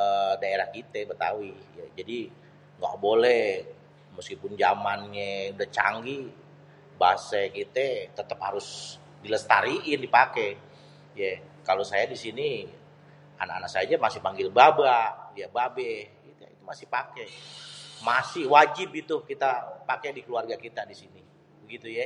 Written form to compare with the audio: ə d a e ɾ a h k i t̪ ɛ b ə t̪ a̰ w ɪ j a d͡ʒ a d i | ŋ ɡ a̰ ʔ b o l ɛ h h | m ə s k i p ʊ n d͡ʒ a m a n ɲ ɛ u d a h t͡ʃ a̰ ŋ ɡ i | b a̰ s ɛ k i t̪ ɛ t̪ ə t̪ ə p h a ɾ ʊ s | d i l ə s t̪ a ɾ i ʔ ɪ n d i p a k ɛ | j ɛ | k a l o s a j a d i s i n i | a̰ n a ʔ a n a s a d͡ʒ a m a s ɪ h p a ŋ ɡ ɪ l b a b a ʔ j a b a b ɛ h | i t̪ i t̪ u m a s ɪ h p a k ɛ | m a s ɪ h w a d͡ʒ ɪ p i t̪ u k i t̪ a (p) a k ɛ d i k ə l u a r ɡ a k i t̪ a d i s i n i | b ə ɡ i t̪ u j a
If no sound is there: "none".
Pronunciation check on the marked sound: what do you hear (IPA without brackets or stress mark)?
p